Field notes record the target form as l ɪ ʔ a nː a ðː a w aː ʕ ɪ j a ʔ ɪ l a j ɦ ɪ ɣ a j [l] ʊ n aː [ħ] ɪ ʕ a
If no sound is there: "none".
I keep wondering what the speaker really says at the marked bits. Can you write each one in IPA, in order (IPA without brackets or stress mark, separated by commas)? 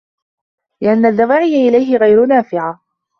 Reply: ɾ, f